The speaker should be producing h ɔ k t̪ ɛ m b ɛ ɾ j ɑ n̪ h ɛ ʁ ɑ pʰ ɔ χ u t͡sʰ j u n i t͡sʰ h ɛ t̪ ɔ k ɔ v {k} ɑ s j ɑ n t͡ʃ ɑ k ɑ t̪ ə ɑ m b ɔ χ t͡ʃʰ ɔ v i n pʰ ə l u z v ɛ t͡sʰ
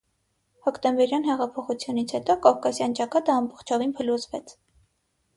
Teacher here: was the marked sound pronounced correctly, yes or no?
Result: yes